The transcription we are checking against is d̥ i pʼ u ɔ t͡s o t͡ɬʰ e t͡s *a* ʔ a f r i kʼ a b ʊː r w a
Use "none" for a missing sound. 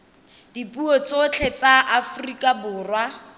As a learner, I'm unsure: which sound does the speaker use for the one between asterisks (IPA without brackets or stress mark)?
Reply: a